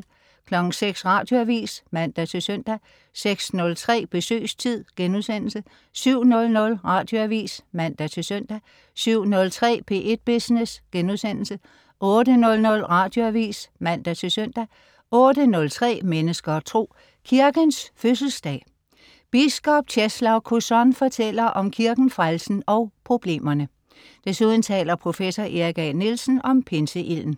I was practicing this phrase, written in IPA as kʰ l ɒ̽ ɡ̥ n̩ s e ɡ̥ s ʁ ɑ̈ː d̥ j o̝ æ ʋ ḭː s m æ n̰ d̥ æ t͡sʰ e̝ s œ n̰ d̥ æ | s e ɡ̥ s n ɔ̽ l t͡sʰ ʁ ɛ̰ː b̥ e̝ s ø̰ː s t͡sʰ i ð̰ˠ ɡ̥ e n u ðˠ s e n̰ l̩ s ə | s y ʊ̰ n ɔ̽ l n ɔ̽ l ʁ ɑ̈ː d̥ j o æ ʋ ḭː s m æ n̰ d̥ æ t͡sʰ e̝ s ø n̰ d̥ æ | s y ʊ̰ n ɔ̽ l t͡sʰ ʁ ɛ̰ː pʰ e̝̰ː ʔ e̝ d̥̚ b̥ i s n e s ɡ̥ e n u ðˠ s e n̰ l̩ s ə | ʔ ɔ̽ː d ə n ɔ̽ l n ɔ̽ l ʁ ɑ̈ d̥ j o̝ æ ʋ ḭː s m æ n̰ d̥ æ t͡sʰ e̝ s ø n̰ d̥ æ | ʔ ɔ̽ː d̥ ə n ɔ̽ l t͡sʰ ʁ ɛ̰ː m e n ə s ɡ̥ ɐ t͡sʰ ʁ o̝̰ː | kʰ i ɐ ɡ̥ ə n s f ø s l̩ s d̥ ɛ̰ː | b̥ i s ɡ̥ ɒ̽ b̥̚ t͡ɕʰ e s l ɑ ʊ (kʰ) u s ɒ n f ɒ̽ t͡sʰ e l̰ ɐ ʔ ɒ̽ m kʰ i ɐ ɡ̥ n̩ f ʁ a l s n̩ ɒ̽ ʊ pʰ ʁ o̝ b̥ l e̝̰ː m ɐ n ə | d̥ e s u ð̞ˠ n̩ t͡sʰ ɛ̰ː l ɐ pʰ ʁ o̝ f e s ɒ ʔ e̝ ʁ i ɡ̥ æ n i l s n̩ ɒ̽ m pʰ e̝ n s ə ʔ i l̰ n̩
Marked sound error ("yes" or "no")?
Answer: no